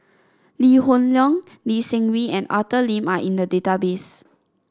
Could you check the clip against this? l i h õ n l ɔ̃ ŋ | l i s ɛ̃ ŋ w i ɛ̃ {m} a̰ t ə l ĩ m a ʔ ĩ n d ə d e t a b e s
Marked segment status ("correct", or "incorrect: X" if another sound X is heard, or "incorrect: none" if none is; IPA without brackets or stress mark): incorrect: n